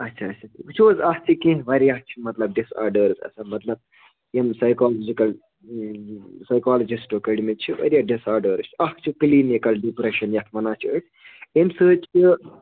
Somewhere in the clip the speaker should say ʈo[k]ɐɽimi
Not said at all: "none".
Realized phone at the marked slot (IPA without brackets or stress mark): k